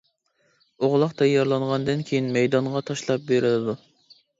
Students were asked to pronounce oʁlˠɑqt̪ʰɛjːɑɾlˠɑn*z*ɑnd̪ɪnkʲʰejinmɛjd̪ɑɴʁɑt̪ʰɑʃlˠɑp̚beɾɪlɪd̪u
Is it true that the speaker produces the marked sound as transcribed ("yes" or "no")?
no